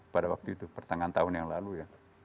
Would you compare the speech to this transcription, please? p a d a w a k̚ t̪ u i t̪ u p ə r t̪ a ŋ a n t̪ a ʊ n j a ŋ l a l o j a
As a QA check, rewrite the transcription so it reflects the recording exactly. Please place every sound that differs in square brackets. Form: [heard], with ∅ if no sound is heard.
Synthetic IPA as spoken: p a d a w a k̚ t̪ u i t̪ u p ə r t̪ a ŋ a n t̪ a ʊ n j a ŋ l a l [u] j a